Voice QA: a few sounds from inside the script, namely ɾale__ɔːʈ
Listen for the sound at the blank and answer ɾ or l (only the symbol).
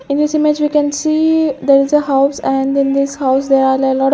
l